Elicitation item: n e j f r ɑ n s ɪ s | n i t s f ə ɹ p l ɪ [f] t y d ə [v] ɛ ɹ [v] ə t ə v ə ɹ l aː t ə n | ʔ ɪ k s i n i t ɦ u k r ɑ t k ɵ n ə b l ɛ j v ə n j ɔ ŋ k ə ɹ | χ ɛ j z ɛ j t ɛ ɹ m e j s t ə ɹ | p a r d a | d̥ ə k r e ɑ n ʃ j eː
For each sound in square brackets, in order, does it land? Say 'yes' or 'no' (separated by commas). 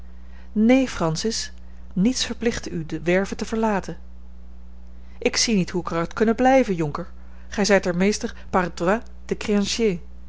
no, no, yes